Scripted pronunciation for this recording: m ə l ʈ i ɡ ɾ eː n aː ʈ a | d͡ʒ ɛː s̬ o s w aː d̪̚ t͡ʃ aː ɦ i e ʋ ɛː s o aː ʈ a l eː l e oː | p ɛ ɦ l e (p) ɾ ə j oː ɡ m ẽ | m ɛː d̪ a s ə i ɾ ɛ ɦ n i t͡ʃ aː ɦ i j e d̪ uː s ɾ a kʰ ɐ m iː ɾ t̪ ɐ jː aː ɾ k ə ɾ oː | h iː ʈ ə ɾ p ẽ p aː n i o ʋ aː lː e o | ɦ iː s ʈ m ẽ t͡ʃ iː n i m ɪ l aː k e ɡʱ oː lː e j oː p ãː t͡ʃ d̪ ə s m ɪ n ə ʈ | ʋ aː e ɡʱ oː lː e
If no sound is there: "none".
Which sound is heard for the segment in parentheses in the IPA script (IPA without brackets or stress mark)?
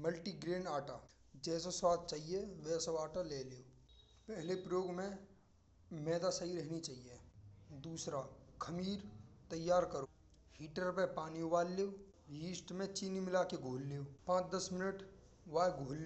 p